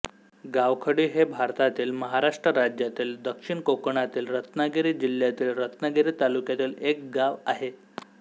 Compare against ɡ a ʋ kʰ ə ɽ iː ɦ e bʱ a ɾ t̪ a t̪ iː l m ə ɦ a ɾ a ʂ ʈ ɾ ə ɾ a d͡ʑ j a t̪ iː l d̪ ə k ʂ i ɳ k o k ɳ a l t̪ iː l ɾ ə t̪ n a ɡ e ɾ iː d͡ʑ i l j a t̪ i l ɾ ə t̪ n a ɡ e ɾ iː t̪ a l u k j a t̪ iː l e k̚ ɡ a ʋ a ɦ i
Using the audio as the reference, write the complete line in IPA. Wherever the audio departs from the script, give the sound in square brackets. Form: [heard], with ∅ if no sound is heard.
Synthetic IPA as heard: ɡ a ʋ kʰ ə ɽ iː ɦ e bʱ a ɾ t̪ a t̪ iː l m ə ɦ a ɾ a ʂ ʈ ɾ ə ɾ a d͡ʑ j a t̪ iː l d̪ ə k ʂ i ɳ k o k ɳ a [∅] t̪ iː l ɾ ə t̪ n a ɡ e ɾ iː d͡ʑ i l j a t̪ [iː] l ɾ ə t̪ n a ɡ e ɾ iː t̪ a l u k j a t̪ iː l e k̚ ɡ a ʋ a ɦ [e]

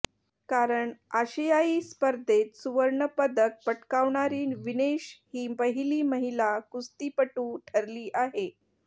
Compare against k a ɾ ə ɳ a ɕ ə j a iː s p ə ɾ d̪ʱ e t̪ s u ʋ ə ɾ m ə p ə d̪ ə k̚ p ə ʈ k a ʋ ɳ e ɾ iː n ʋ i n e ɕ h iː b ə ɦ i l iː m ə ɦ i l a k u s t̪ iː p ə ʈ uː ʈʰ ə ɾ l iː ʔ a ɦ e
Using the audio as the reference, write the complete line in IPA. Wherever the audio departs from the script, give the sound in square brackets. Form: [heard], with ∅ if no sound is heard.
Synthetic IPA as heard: k a ɾ ə ɳ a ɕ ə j a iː s p ə ɾ d̪ʱ e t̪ s u ʋ ə ɾ [ɳ] ə p ə d̪ ə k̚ p ə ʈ k a ʋ ɳ [a] ɾ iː n ʋ i n e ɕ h iː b ə ɦ i l iː m ə ɦ i l a k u s t̪ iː p ə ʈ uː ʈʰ ə ɾ l iː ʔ a ɦ e

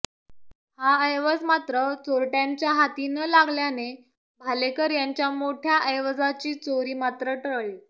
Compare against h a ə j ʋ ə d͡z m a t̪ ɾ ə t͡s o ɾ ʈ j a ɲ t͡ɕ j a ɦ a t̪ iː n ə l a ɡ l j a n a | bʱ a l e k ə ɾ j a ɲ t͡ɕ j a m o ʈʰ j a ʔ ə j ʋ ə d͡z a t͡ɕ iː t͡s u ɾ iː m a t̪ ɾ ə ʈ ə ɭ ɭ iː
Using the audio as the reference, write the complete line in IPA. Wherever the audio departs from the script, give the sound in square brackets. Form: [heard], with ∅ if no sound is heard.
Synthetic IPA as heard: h a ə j ʋ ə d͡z m a t̪ ɾ ə t͡s o ɾ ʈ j a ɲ t͡ɕ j a ɦ a t̪ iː n ə l a ɡ l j a n [e] | bʱ a l e k ə ɾ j a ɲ t͡ɕ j a m o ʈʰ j a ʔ ə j ʋ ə d͡z a t͡ɕ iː t͡s [o] ɾ iː m a t̪ ɾ ə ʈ ə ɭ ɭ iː

